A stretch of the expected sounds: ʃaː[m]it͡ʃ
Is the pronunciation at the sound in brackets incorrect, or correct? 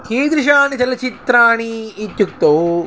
incorrect